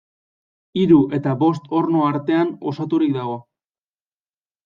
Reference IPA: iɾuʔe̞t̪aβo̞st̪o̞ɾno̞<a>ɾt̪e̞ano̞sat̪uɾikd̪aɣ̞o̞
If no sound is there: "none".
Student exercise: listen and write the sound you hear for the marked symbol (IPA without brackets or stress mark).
a